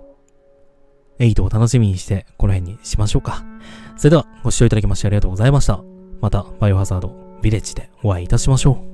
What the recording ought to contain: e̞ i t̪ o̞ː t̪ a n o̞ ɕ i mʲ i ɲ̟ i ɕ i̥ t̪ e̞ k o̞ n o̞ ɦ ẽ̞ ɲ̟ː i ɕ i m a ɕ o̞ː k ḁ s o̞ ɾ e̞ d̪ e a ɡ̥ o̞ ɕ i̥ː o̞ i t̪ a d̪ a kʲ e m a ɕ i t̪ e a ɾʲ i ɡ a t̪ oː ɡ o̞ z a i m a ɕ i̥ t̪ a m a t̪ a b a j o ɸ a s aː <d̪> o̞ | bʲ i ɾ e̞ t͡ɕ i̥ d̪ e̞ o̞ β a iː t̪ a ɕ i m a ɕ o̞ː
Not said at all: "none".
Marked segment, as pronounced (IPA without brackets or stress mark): d̪